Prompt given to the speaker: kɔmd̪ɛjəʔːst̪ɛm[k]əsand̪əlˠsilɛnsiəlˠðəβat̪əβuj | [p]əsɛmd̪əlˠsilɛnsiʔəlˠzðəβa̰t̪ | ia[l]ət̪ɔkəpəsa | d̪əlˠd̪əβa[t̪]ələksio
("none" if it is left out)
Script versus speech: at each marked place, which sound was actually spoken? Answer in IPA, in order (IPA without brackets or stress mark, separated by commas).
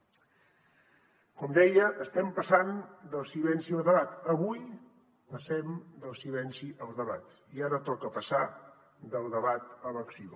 p, p, ɾ, t̪